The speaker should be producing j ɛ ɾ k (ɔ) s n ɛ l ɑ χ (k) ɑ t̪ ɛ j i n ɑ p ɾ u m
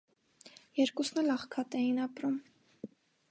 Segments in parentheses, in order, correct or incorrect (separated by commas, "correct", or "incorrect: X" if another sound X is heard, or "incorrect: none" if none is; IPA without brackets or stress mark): incorrect: u, incorrect: kʰ